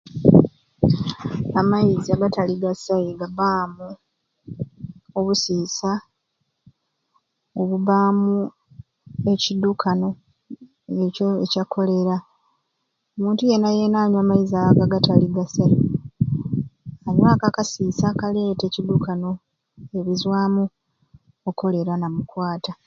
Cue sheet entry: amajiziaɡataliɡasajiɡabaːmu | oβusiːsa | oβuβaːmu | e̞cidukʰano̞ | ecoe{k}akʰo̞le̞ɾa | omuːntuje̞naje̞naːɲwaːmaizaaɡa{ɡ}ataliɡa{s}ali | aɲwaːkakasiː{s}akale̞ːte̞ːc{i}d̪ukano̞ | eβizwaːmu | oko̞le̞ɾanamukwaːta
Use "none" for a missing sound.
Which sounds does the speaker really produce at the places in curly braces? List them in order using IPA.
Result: c, ɡ, s, s, i

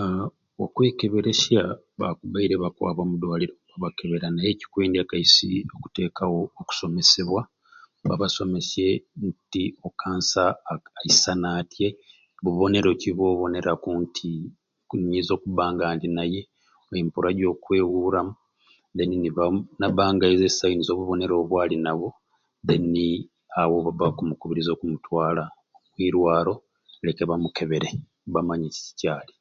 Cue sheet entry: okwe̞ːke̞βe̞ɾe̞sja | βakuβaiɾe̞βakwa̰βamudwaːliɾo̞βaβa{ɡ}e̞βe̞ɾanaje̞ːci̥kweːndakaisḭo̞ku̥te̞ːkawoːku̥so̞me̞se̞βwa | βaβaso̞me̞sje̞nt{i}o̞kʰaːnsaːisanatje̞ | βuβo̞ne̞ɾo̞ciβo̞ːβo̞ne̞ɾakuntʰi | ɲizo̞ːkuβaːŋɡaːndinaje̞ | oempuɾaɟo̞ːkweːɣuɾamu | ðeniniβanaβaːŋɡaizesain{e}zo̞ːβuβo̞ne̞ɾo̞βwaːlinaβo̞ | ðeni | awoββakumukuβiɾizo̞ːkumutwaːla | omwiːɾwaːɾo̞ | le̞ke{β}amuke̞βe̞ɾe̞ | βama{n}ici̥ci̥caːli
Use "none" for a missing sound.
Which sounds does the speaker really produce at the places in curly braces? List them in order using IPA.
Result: k, i, i, β, ɲ

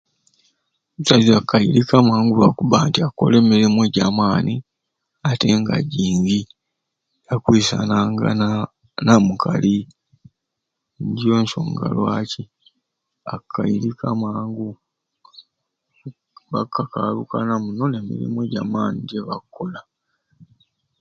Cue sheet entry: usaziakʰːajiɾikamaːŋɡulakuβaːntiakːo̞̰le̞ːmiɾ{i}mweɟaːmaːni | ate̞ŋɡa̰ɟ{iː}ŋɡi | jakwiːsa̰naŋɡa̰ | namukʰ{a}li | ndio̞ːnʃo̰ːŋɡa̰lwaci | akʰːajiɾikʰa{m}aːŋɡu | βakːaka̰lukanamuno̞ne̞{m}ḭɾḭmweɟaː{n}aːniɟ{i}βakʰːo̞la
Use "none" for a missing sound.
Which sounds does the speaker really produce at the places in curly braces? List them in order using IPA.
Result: i, iː, a, m, m, m, e

